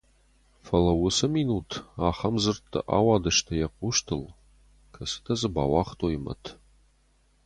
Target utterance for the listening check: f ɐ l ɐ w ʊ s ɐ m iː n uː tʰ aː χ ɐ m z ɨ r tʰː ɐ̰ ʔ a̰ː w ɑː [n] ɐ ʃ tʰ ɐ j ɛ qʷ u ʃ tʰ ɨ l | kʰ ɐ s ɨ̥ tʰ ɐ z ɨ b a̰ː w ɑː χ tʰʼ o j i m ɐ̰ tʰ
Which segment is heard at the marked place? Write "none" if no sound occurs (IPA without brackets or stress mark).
d